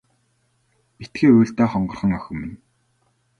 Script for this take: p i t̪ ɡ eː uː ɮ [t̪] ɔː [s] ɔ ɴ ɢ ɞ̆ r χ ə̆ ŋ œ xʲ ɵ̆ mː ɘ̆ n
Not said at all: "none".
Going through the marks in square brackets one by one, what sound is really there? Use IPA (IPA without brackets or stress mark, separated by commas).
t̪, χ